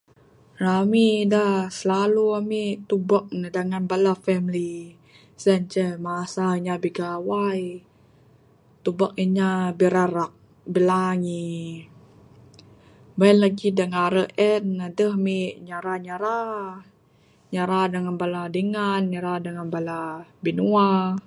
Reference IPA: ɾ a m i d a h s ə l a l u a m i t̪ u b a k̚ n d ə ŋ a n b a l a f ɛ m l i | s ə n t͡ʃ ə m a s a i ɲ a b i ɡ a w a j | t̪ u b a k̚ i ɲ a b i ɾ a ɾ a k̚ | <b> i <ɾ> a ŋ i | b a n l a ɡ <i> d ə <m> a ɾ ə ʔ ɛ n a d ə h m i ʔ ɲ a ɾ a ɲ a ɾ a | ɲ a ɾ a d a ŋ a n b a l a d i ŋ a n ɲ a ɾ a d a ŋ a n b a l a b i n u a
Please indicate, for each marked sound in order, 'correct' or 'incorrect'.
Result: correct, incorrect, correct, incorrect

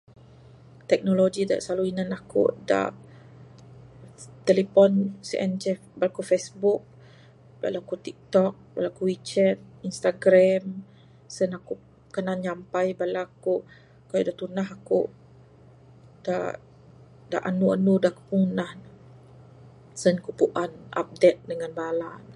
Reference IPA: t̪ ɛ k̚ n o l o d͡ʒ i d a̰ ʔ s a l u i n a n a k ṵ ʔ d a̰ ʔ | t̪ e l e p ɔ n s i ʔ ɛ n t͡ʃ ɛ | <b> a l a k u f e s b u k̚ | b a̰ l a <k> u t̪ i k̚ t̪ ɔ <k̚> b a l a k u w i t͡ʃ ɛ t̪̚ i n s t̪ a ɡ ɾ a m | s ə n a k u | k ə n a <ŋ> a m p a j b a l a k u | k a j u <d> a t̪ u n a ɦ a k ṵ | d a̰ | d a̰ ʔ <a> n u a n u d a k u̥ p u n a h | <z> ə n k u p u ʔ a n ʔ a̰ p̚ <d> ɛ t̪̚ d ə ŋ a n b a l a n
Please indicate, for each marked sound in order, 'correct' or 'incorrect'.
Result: correct, correct, correct, incorrect, correct, correct, incorrect, correct

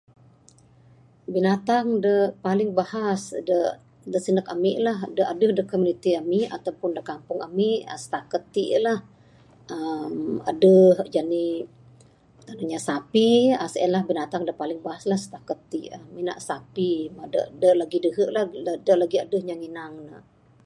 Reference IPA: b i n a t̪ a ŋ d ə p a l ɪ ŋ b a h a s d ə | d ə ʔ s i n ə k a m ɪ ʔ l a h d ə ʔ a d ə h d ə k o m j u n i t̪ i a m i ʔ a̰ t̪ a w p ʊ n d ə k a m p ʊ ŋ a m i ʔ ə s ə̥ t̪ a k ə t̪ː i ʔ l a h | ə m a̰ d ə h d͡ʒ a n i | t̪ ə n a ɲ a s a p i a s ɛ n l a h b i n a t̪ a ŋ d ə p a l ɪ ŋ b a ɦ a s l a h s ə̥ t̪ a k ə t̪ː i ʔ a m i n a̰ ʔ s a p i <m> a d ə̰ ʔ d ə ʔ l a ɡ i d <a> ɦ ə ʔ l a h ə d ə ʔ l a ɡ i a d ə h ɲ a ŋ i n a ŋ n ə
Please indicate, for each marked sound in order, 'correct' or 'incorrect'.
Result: correct, incorrect

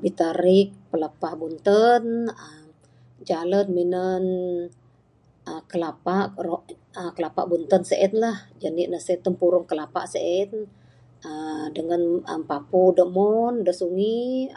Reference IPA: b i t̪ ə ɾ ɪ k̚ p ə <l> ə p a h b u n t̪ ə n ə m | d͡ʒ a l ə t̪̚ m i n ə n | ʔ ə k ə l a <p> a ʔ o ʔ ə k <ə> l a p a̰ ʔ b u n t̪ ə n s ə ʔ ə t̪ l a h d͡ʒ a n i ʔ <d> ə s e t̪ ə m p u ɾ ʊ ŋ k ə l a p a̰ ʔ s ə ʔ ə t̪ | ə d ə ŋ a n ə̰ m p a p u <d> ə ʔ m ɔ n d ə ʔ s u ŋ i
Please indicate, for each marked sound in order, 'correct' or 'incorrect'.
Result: correct, correct, correct, incorrect, correct

